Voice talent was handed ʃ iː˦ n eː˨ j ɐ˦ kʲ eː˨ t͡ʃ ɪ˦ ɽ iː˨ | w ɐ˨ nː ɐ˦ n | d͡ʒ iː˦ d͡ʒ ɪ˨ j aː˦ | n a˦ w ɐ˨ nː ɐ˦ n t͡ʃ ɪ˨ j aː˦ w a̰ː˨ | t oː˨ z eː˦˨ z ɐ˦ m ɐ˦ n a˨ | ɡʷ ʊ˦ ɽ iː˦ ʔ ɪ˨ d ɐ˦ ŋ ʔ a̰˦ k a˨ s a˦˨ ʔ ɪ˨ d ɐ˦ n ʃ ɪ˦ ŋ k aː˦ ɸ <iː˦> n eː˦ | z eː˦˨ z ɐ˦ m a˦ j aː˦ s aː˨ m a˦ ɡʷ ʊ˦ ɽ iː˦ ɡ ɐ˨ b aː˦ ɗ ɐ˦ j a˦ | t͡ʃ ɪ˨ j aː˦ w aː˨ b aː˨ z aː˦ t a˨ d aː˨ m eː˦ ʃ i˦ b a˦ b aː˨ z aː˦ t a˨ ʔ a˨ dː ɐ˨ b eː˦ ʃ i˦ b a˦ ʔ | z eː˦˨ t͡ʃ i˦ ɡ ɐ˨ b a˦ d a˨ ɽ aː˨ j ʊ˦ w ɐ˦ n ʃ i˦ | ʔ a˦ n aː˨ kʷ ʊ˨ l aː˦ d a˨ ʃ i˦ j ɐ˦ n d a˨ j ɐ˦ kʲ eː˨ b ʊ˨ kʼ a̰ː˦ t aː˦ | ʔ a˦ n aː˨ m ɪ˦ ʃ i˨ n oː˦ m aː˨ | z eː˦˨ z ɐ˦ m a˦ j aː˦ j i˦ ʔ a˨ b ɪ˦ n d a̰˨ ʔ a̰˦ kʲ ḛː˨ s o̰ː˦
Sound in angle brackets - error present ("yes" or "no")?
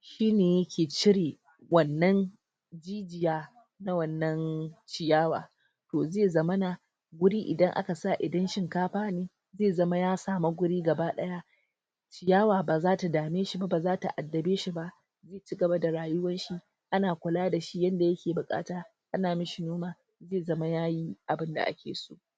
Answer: yes